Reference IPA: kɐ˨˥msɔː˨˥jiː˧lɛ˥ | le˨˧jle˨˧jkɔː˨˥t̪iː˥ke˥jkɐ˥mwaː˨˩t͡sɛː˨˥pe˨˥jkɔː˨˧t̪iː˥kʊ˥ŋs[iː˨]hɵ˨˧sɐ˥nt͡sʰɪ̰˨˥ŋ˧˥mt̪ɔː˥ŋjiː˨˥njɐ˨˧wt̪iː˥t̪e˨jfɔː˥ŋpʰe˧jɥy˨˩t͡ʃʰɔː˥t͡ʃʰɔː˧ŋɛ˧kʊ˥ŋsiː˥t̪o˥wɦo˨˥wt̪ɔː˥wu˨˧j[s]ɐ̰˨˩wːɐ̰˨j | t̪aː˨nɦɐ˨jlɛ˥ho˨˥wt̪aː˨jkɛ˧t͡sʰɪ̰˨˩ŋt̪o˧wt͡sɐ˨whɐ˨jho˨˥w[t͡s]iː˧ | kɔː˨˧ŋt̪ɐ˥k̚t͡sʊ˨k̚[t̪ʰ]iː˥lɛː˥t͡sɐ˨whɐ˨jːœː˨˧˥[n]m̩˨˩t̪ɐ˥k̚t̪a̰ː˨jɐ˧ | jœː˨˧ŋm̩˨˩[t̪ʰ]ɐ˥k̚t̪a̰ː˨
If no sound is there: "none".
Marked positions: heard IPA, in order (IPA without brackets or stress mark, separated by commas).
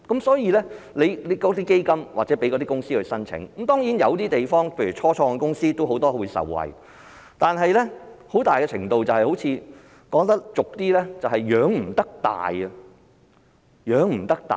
iː˥, s, t͡sʰ, t̪, ŋ, t̪